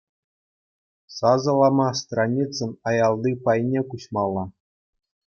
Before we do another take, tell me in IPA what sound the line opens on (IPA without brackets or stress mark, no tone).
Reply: s